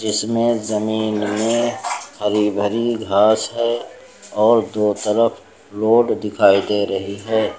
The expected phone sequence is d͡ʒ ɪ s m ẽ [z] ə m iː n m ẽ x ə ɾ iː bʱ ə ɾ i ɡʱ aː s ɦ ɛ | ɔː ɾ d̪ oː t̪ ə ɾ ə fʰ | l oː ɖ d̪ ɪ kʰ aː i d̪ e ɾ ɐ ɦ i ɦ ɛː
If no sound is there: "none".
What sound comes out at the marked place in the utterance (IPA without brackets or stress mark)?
z